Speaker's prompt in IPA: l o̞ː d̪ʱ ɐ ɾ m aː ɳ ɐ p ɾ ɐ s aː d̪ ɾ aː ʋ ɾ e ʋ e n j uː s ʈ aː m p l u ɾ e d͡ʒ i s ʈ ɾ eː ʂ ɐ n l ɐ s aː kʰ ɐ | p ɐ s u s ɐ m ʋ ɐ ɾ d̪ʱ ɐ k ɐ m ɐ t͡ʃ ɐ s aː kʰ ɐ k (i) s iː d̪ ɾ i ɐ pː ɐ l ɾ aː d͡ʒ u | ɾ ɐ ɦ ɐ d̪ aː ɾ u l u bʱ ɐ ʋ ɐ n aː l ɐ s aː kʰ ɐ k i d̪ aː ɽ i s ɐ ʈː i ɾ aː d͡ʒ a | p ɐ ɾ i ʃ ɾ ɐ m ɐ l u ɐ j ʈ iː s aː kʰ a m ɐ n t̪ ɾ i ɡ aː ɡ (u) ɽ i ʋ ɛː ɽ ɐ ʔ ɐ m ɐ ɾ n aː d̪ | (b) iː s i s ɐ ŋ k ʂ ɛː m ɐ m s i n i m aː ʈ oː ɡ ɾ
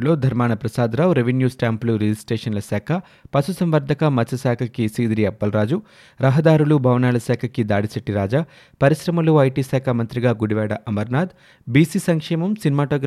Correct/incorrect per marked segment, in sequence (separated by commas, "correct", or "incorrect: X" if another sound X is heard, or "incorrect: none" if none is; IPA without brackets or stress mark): correct, correct, correct